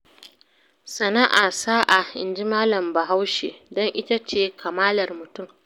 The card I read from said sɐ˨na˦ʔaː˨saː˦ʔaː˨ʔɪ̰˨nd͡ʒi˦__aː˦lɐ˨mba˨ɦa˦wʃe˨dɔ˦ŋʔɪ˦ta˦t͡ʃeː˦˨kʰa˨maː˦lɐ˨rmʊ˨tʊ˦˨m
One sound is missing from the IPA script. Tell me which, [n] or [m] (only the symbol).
m